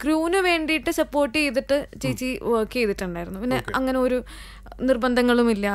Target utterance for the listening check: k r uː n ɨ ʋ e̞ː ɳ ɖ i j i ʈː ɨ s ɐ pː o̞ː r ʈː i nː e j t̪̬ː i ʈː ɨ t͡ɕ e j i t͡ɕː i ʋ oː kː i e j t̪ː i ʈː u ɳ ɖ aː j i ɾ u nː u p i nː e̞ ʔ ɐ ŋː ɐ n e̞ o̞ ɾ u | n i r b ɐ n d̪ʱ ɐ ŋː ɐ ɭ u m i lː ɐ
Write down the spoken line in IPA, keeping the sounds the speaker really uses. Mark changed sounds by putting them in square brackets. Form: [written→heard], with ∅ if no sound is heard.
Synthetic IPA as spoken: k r uː n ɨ ʋ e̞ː ɳ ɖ i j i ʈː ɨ s ɐ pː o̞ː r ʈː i [nː→∅] e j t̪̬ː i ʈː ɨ t͡ɕ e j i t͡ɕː i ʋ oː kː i e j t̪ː i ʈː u ɳ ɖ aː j i ɾ u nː u p i nː e̞ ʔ ɐ ŋː ɐ n e̞ o̞ ɾ u | n i r b ɐ n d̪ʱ ɐ ŋː ɐ ɭ u m i lː ɐ